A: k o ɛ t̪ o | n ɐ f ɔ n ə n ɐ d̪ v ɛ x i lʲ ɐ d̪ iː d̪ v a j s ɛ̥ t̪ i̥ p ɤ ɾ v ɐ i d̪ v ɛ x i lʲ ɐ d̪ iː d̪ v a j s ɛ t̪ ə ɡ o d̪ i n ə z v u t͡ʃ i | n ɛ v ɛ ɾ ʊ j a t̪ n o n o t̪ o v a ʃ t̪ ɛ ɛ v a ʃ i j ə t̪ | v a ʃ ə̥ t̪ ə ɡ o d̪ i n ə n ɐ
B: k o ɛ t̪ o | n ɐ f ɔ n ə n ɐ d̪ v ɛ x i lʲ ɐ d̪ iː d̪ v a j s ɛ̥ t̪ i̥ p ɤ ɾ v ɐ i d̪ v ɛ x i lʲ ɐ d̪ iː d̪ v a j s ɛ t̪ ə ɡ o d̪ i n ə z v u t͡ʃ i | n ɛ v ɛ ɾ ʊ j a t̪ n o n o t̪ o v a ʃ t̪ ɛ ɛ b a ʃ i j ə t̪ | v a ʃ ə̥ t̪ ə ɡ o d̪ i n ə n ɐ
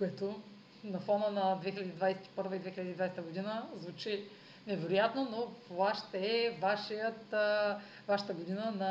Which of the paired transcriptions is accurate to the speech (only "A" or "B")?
A